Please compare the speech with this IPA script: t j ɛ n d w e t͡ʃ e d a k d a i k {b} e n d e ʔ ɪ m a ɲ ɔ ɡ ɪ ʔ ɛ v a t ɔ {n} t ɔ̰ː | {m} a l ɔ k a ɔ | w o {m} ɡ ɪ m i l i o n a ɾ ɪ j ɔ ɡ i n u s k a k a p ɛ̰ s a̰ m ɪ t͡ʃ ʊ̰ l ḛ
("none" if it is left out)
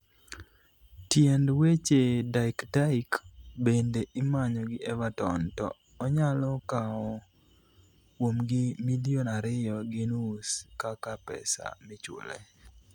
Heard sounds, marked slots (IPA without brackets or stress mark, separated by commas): b, n, ɲ, m